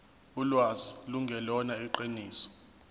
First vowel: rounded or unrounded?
rounded